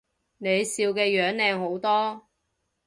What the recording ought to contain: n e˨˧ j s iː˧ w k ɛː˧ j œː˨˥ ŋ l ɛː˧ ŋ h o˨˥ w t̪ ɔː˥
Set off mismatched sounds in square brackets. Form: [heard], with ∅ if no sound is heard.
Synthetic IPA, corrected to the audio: n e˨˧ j s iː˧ w k ɛː˧ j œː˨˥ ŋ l ɛː˧ ŋ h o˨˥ w t̪ ɔː˥